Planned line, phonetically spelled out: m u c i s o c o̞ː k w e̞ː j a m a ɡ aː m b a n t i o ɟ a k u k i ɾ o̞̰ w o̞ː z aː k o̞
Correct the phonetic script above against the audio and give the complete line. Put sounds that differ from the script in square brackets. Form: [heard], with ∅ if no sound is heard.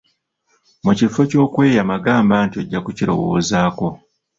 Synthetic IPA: m u c i [f] o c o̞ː k w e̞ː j a m a ɡ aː m b a n t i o [ɟː] a k u [c] i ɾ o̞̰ w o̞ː z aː k o̞